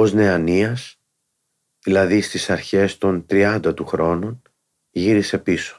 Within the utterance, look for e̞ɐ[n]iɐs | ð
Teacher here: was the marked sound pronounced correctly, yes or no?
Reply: yes